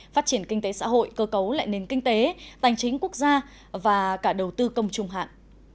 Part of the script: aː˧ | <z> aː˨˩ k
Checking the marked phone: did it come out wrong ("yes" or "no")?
yes